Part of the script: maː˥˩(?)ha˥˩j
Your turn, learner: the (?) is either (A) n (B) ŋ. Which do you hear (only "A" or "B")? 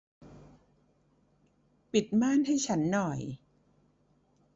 A